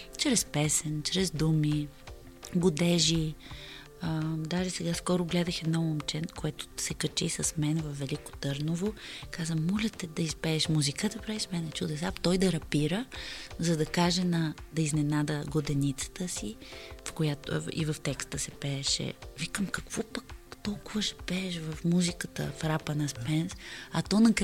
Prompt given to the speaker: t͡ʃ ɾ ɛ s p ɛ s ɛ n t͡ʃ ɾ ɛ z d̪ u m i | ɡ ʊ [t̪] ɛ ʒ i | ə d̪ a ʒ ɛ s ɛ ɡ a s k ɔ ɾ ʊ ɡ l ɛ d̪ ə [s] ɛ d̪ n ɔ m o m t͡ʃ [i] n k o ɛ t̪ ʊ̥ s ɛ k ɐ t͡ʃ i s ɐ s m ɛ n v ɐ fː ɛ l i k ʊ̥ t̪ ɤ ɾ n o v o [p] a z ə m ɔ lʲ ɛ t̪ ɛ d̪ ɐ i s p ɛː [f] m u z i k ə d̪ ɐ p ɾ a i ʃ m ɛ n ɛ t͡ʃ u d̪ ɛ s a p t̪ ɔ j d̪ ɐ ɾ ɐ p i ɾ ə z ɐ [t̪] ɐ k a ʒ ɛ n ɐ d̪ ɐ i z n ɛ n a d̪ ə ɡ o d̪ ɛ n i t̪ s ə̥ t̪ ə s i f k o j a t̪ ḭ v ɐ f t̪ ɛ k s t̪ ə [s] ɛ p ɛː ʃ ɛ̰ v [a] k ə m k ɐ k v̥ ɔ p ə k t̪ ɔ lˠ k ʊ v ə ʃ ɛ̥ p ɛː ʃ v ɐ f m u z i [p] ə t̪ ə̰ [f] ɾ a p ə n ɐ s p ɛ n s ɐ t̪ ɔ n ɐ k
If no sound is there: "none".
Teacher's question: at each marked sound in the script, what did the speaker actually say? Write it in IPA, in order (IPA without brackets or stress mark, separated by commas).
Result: d̪, x, ɛ, k, ʃ, d̪, s, i, k, f